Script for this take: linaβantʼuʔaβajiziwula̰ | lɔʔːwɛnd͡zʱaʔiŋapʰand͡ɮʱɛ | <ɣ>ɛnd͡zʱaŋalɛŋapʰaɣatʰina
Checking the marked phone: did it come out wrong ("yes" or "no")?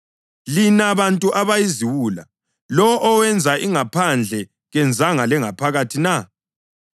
no